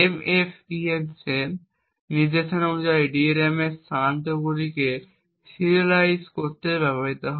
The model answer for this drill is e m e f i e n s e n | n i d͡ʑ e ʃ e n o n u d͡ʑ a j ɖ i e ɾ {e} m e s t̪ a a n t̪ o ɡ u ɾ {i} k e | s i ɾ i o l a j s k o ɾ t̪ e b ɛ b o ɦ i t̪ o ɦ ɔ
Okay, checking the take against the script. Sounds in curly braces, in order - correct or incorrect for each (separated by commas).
correct, correct